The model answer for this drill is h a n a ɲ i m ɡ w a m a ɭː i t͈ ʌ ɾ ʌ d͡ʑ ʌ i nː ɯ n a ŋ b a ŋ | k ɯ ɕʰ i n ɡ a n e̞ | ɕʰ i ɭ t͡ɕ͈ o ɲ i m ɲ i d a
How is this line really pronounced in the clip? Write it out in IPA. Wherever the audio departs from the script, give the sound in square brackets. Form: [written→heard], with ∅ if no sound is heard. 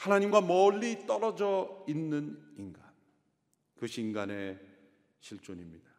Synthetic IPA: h a n a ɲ i m ɡ w a m [a→ʌ] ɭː i t͈ ʌ ɾ ʌ d͡ʑ ʌ i nː ɯ n [a→i] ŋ [b→ɡ] a [ŋ→n] | k ɯ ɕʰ i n ɡ a n e̞ | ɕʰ i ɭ t͡ɕ͈ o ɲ i m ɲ i d a